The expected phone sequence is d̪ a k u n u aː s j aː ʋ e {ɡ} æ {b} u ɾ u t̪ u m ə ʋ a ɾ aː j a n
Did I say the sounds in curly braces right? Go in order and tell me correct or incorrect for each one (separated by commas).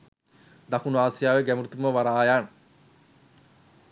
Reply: correct, incorrect